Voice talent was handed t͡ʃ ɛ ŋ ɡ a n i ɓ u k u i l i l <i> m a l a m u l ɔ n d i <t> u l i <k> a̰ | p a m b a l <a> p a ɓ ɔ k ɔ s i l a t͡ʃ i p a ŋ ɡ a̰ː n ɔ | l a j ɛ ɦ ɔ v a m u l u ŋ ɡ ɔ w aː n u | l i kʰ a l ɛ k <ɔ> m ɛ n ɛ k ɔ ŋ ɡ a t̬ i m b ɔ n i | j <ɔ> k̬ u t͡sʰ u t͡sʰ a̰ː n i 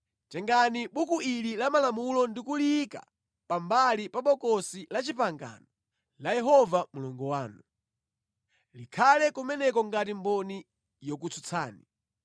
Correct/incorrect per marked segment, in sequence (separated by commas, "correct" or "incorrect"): incorrect, incorrect, correct, incorrect, incorrect, correct